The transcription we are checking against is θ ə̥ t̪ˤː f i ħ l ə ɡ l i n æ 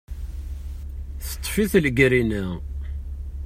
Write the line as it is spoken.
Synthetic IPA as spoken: θ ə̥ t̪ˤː f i θ l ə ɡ ɾ i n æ

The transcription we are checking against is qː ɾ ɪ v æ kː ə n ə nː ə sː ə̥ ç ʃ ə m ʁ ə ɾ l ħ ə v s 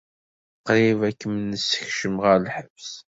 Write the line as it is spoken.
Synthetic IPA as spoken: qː ɾ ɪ v æ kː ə m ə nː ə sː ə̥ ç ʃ ə m ʁ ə ɾ l ħ ə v s

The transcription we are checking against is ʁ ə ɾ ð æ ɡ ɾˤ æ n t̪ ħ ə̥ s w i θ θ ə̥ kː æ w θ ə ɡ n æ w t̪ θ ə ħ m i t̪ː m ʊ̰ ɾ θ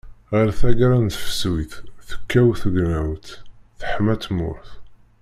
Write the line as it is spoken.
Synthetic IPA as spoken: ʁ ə ɾ θ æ ɡ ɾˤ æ n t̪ f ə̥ s w i θ θ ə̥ kː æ w θ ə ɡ n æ w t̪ θ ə ħ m æ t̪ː m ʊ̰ ɾ θ

